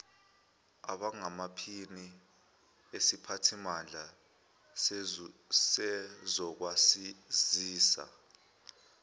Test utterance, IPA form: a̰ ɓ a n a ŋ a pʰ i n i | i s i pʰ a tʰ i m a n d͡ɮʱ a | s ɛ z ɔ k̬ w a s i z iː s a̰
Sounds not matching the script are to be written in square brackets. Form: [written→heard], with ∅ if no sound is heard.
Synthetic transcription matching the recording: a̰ ɓ a [n→ŋ] a [ŋ→m] a pʰ i n i | [i→e] s i pʰ a tʰ i m a n d͡ɮʱ a | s ɛ z ɔ k̬ w a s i z iː s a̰

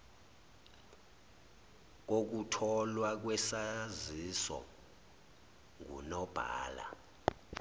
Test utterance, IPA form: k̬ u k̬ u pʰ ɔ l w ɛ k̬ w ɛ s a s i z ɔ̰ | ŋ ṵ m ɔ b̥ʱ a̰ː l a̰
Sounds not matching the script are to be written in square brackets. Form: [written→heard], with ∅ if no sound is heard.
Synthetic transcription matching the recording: k̬ [u→o] k̬ u [pʰ→tʰ] ɔ l w [ɛ→a] k̬ w ɛ s a [s→z] i [z→s] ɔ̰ | ŋ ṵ [m→n] ɔ b̥ʱ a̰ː l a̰

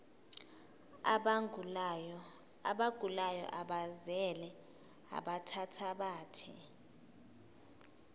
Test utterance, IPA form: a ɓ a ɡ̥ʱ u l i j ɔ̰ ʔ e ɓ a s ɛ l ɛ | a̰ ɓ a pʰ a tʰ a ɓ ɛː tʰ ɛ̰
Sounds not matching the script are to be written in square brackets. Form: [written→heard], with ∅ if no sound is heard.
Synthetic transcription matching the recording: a ɓ a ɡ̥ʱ u l [i→a] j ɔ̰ ʔ [e→a] ɓ a [s→z] ɛ l ɛ | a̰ ɓ a [pʰ→tʰ] a tʰ a ɓ [ɛː→aː] tʰ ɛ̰

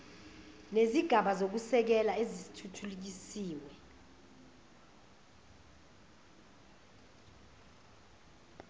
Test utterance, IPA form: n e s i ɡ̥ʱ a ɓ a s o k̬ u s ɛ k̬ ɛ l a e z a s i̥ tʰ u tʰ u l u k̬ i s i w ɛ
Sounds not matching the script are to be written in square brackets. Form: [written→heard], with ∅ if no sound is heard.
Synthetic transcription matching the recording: n e [s→z] i ɡ̥ʱ a ɓ a [s→z] o k̬ u s ɛ k̬ ɛ l a e z [a→i] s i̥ tʰ u tʰ u l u k̬ i s [i→iː] w ɛ

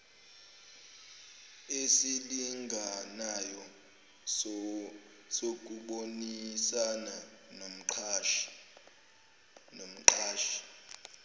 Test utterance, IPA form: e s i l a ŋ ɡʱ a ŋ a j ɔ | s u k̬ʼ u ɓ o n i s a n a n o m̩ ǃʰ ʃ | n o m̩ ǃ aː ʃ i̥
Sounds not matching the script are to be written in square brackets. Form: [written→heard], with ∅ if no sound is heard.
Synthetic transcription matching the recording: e s i l [a→i] ŋ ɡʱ a [ŋ→n] a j ɔ | s [u→o] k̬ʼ u ɓ o n i s a n a n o m̩ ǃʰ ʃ | n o m̩ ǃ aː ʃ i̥

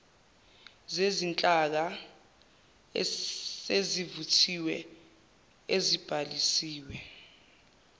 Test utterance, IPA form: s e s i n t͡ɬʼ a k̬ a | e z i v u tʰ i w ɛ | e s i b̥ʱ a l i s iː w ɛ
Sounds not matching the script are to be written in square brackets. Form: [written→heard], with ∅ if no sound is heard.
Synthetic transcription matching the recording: [s→z] e [s→z] i n t͡ɬʼ a k̬ a | e z i v u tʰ i w ɛ | e [s→z] i b̥ʱ a l i s iː w ɛ

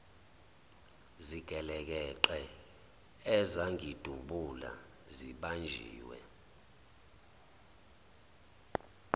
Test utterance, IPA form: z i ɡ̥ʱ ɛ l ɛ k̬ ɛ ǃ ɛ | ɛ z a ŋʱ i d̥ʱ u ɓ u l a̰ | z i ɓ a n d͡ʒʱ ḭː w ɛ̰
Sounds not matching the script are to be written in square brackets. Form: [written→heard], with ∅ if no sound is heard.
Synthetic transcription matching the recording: z i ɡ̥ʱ ɛ l ɛ k̬ ɛ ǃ ɛ | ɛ z a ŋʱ i d̥ʱ u ɓ u l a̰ | z i ɓ a n d͡ʒʱ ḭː w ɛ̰

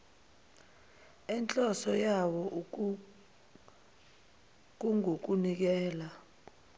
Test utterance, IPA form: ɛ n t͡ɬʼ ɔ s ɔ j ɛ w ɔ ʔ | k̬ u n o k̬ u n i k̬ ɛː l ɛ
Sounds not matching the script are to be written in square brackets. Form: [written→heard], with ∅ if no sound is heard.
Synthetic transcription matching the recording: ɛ n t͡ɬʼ ɔ s ɔ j [ɛ→a] w ɔ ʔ | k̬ u [n→ŋ] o k̬ u n i k̬ ɛː l [ɛ→a]

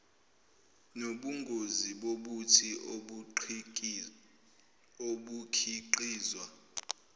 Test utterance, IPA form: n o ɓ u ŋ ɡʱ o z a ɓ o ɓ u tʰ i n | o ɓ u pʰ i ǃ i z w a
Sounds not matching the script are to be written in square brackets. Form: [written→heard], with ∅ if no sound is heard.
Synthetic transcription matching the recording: n o ɓ u ŋ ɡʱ o z [a→i] ɓ o ɓ u tʰ i [n→∅] | o ɓ u [pʰ→kʰ] i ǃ [i→iː] z w a

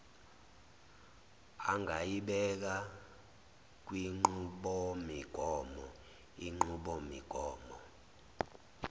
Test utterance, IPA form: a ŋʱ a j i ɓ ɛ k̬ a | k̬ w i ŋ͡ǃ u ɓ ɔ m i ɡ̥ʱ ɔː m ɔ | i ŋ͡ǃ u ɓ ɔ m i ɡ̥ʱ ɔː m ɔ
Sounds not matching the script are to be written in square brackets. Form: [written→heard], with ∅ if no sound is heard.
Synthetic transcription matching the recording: a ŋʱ a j i ɓ ɛ k̬ a | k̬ w i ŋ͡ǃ u ɓ ɔ m i ɡ̥ʱ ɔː m ɔ | i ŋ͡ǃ u ɓ ɔ m i ɡ̥ʱ ɔː m ɔ

